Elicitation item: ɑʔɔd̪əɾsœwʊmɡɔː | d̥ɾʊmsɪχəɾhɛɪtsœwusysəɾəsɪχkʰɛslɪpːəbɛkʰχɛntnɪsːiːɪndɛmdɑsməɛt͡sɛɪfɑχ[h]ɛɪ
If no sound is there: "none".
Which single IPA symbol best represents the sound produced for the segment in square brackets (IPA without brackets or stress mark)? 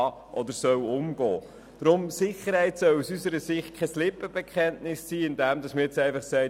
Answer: s